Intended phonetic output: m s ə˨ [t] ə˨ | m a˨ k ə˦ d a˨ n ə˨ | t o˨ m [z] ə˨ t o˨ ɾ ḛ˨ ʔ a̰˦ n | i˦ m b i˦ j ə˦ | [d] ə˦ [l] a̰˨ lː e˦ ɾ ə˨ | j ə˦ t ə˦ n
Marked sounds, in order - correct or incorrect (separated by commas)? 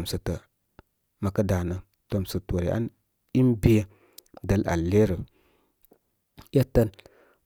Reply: correct, incorrect, correct, correct